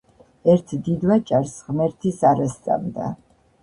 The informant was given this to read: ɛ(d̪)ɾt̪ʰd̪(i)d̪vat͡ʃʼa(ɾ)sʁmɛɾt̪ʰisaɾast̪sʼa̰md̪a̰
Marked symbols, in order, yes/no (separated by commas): no, yes, yes